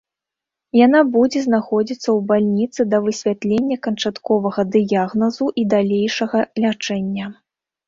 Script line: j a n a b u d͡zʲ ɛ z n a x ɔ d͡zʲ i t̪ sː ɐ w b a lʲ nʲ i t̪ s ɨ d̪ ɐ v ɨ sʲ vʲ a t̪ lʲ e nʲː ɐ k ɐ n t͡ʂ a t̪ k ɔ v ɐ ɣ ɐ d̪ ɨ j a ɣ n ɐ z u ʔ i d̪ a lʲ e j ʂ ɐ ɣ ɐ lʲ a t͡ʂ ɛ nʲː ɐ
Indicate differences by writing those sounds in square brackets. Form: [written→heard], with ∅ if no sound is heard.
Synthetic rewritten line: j a n a b u d͡zʲ ɛ z n a x ɔ d͡zʲ i t̪ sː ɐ w b a lʲ nʲ i t̪ s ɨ d̪ ɐ v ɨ sʲ vʲ a t̪ lʲ e nʲː ɐ k ɐ n t͡ʂ a t̪ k ɔ v ɐ ɣ ɐ d̪ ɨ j a ɣ n ɐ z u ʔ i d̪ a lʲ e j ʂ ɐ ɣ ɐ lʲ a t͡ʂ ɛ nʲː ɐ